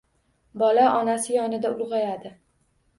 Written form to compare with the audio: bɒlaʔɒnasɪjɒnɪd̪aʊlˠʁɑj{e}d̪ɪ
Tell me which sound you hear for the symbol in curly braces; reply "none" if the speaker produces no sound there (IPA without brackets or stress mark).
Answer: a